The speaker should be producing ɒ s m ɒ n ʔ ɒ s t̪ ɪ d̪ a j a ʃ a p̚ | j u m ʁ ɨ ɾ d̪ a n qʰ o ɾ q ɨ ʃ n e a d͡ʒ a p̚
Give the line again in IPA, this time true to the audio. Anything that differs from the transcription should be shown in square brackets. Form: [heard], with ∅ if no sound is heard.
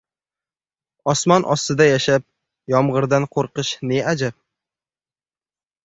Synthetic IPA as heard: ɒ s m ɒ n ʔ ɒ s t̪ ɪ d̪ a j a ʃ a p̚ | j [ɒ] m ʁ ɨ ɾ d̪ a n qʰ o ɾ q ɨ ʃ n e a d͡ʒ a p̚

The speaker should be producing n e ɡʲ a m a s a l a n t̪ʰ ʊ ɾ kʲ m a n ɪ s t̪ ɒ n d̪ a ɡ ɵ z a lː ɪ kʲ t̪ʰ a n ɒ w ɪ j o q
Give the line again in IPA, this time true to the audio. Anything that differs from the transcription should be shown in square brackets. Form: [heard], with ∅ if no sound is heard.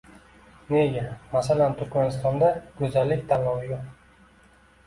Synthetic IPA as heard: n e ɡʲ a m a s a l a n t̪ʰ ʊ ɾ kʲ m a n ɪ s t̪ ɒ n d̪ a ɡ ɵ z a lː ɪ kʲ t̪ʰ a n ɒ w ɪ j o q

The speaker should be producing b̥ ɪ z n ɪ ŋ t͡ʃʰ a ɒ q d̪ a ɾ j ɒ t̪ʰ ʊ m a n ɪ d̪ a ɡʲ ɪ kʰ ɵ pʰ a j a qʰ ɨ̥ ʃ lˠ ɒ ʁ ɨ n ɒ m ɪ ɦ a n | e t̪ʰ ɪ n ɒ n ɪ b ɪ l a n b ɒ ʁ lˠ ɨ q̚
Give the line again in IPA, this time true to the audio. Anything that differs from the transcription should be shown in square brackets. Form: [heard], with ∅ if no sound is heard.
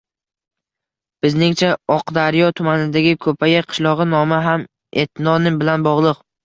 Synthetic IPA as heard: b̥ ɪ z n ɪ ŋ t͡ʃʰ a ɒ q d̪ a ɾ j ɒ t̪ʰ ʊ m a n ɪ d̪ a ɡʲ ɪ kʰ ɵ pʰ a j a qʰ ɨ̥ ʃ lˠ ɒ ʁ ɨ n ɒ m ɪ ɦ a [m] | e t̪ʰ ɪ n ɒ n ɪ b ɪ l a n b ɒ ʁ lˠ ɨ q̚

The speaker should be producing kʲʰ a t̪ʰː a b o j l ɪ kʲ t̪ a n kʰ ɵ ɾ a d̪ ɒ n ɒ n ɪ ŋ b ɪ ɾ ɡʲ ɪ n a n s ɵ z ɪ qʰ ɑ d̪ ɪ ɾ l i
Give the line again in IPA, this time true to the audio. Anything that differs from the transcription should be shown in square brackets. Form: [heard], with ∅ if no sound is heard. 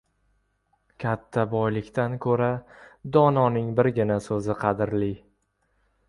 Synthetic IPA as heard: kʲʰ a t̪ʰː a b [ɒ] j l ɪ kʲ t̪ a n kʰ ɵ ɾ a d̪ ɒ n ɒ n ɪ ŋ b ɪ ɾ ɡʲ ɪ n a [∅] s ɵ z ɪ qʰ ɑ d̪ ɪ ɾ l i

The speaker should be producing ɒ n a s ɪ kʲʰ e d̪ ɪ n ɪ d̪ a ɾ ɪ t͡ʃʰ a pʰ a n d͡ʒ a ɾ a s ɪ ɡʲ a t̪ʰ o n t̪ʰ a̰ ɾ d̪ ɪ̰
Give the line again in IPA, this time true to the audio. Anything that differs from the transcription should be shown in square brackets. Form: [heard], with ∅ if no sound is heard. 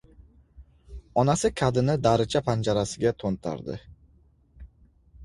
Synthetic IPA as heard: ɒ n a s ɪ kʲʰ [a] d̪ ɪ n ɪ d̪ a ɾ ɪ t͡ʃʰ a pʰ a n d͡ʒ a ɾ a s ɪ ɡʲ a t̪ʰ o n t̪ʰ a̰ ɾ d̪ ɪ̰

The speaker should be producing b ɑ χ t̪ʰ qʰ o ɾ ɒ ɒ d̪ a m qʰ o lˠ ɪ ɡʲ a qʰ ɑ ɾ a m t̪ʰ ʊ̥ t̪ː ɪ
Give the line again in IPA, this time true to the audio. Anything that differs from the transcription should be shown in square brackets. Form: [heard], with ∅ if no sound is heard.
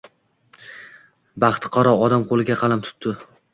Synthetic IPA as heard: b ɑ χ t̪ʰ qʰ [ɒ] ɾ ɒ ɒ d̪ a m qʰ o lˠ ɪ ɡʲ a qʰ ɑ [l] a m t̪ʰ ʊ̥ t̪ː ɪ

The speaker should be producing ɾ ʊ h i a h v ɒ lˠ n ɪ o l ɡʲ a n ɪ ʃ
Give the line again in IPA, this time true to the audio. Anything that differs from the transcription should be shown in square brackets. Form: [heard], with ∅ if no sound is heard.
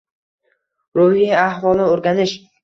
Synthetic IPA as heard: ɾ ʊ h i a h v ɒ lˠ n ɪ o [ɾ] ɡʲ a n ɪ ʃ

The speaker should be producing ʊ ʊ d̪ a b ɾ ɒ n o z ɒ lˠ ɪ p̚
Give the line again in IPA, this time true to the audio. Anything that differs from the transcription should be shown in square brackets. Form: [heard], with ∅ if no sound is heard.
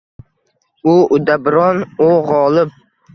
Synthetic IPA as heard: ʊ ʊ d̪ a b ɾ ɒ n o [ʁ] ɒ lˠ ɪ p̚

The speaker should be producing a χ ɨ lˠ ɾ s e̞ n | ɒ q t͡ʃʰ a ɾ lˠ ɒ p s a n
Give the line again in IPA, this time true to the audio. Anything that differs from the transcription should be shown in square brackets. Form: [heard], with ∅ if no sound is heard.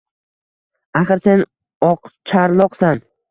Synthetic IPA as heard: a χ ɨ [∅] ɾ s e̞ n | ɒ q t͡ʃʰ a ɾ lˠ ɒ [q] s a n

